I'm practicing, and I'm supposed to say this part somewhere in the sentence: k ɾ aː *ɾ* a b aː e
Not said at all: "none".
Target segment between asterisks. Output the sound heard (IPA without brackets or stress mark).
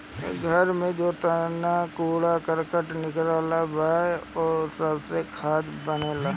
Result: l